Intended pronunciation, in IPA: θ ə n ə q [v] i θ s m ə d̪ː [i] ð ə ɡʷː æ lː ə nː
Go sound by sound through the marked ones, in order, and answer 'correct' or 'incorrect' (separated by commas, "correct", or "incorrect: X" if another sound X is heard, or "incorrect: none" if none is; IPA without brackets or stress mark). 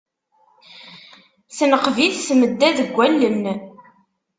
correct, incorrect: æ